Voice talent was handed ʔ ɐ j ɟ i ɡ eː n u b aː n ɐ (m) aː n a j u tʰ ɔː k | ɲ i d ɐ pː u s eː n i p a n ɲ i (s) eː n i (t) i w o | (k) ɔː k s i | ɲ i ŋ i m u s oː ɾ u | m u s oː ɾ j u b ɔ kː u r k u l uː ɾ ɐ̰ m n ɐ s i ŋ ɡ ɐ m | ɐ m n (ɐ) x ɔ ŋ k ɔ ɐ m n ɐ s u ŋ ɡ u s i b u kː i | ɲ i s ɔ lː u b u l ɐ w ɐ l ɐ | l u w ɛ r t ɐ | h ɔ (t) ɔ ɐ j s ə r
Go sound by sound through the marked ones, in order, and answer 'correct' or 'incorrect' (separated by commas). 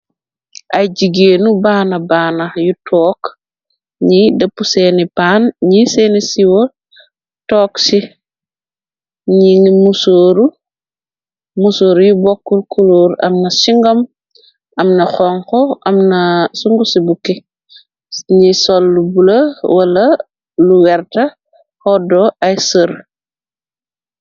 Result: incorrect, correct, incorrect, incorrect, correct, incorrect